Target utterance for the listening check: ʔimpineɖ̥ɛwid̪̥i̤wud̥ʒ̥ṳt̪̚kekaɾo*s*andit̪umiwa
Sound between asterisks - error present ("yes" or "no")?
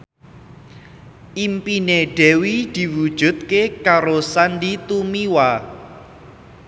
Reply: no